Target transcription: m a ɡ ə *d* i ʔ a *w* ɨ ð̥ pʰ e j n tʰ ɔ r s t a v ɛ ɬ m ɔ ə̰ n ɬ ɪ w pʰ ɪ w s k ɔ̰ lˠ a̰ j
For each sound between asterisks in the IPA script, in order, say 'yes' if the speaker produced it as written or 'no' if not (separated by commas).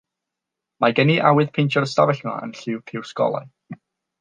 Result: no, yes